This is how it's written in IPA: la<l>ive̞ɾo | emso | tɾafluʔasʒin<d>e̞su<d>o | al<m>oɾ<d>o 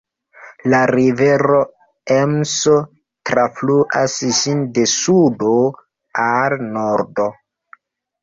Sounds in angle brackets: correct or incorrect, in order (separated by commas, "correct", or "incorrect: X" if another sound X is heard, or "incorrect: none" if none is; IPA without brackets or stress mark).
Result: incorrect: ɾ, correct, correct, incorrect: n, correct